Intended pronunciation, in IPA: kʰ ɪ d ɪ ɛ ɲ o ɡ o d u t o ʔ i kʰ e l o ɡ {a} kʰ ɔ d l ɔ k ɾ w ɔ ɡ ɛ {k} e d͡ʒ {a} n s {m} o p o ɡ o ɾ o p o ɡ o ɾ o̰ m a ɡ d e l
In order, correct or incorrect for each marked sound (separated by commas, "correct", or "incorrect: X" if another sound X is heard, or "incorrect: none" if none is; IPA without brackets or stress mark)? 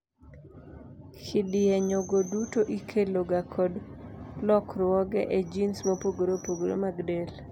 correct, incorrect: ʔ, incorrect: i, correct